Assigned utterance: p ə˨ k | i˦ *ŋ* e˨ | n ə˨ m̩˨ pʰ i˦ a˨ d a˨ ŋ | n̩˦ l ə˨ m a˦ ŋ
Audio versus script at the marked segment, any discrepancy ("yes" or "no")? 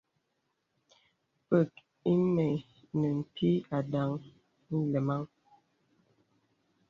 yes